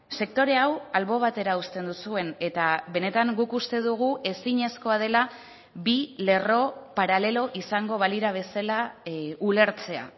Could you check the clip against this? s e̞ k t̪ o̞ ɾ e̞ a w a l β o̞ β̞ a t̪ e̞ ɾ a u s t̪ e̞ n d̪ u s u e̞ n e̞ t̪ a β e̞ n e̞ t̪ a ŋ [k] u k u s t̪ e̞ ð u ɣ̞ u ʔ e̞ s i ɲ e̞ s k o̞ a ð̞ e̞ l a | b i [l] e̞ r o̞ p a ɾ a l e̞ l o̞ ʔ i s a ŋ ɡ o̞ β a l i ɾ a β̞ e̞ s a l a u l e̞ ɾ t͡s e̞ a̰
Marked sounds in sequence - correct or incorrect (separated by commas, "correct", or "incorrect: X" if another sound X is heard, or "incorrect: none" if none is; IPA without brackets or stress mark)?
incorrect: ɡ, correct